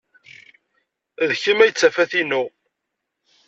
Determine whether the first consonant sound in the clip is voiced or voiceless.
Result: voiced